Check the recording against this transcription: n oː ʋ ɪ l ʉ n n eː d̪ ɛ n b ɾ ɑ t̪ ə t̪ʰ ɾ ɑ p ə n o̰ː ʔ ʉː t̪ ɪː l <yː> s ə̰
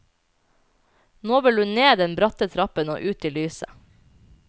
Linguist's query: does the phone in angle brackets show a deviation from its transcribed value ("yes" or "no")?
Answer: no